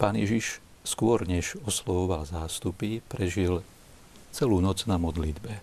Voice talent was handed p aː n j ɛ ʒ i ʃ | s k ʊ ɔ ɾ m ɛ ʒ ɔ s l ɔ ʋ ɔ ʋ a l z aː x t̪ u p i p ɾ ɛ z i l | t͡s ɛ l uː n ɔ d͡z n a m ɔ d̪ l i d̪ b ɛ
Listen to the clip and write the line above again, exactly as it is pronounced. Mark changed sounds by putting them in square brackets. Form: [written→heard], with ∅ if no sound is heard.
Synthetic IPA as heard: p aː n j ɛ ʒ i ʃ | s k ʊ ɔ ɾ [m→ɲ] ɛ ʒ ɔ s l ɔ ʋ ɔ ʋ a l z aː [x→s] t̪ u p i p ɾ ɛ [z→ʒ] i l | t͡s ɛ l uː n ɔ d͡z n a m ɔ d̪ l i d̪ b ɛ